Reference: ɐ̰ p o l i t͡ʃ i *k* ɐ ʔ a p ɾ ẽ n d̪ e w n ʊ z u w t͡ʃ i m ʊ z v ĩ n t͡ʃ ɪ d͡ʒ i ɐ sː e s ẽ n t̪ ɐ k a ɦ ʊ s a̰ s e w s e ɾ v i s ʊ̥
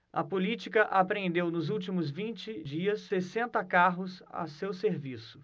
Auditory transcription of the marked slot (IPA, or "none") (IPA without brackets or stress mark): k